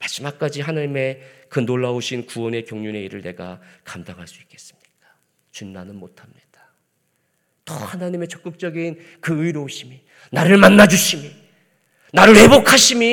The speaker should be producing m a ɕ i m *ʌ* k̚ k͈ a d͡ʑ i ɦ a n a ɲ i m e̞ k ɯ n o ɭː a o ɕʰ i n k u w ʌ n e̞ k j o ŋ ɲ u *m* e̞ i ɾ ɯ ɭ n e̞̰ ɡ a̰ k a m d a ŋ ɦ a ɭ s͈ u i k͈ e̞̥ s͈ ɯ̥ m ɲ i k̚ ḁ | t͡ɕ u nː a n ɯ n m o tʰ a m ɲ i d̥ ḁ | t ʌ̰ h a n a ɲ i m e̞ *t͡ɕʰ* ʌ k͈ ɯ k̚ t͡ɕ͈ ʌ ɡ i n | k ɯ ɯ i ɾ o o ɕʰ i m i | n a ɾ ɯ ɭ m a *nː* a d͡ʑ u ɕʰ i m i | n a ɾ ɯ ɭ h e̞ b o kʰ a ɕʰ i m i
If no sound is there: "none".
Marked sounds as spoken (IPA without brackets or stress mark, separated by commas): a, n, t͡ɕ, nː